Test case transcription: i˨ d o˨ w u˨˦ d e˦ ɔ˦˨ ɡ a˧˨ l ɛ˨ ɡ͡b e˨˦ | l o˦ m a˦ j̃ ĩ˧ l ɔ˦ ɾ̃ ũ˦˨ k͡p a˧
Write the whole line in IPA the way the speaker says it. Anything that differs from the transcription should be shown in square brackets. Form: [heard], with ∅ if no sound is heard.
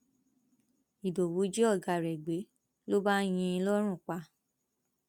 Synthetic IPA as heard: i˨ d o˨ w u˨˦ [d͡ʒ] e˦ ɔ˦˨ ɡ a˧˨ [ɾ] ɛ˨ ɡ͡b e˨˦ | l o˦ [b] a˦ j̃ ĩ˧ l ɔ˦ ɾ̃ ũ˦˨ k͡p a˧